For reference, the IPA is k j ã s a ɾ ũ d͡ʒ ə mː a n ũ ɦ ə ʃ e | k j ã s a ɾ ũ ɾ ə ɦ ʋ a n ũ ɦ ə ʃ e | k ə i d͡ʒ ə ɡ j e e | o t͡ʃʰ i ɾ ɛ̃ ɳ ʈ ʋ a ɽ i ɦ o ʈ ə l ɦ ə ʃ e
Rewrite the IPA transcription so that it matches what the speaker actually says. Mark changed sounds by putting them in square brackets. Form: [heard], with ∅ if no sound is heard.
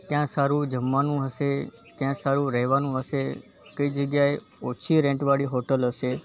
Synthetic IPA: k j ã s a ɾ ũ d͡ʒ ə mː a n ũ ɦ ə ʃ e | k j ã s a ɾ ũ ɾ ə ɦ ʋ a n ũ ɦ ə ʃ e | k ə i d͡ʒ ə ɡ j [a] e | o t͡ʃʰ i ɾ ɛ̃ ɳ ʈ ʋ a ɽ i ɦ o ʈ ə l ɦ ə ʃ e